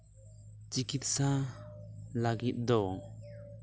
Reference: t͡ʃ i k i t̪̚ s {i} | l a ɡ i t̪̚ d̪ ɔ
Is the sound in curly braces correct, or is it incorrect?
incorrect